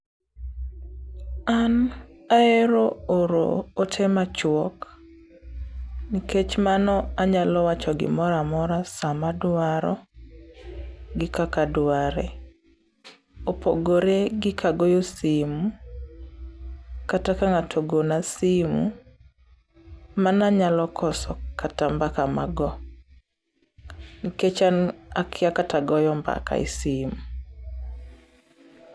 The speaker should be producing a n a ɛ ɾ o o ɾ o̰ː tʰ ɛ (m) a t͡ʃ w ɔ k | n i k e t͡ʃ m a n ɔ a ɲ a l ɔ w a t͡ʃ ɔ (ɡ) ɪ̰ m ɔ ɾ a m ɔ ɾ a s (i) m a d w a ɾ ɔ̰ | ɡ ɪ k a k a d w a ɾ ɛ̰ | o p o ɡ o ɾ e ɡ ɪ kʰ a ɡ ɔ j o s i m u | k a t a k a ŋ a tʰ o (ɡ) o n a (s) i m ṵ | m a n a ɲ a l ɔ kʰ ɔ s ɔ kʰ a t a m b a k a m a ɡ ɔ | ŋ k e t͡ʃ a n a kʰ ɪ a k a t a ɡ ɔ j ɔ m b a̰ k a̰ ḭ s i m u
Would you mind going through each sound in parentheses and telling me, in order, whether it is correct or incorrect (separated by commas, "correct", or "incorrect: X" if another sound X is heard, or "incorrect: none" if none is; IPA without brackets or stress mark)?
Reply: correct, correct, incorrect: a, correct, correct